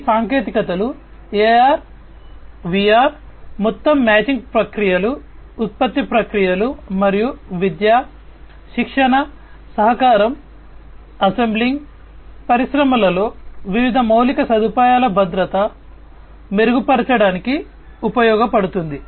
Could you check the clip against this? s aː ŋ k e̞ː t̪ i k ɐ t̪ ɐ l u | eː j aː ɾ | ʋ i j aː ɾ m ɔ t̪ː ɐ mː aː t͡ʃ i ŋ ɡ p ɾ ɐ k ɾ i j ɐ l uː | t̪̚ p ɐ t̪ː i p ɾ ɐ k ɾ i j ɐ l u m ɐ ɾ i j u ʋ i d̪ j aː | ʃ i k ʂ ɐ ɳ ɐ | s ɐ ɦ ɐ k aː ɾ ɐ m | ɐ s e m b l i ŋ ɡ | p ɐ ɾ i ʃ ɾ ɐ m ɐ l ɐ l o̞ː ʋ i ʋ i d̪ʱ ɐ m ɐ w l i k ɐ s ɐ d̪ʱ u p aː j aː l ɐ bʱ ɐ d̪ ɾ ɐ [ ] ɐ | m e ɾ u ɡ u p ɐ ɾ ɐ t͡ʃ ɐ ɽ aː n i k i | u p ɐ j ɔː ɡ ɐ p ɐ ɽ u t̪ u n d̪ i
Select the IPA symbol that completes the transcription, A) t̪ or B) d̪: A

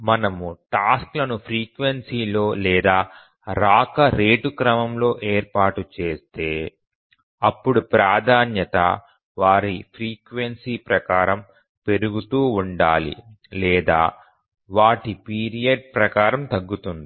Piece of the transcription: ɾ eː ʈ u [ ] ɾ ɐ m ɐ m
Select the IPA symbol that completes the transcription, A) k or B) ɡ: A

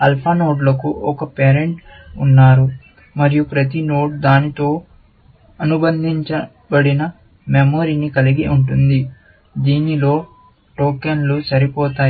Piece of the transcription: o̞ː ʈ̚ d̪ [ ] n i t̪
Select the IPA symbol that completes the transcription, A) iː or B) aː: B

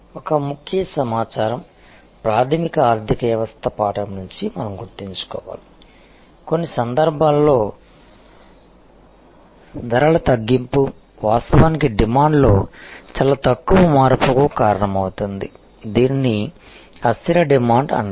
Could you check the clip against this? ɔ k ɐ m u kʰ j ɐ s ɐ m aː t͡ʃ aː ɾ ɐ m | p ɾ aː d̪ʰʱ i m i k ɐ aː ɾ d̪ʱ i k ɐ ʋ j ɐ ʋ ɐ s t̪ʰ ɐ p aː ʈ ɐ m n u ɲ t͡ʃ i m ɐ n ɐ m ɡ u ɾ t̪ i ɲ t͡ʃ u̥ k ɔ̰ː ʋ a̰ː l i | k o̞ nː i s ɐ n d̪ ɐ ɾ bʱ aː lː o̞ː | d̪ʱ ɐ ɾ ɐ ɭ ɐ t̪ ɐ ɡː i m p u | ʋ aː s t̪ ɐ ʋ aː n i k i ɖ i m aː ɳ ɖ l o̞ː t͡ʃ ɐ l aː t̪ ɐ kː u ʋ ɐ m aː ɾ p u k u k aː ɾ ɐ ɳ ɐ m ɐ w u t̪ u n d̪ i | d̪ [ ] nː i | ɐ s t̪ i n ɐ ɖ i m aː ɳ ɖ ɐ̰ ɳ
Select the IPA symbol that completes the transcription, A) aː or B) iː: B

